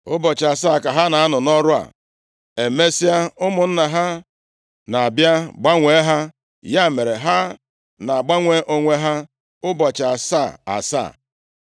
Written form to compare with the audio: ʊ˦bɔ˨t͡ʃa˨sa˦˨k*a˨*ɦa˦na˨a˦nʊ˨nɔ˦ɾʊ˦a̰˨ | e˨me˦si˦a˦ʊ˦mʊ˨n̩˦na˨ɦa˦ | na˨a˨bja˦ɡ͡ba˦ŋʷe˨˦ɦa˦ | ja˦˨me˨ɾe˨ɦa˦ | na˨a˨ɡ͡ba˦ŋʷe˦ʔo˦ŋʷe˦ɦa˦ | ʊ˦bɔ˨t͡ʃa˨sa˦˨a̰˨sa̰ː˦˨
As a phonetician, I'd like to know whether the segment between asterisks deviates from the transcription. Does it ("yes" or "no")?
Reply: no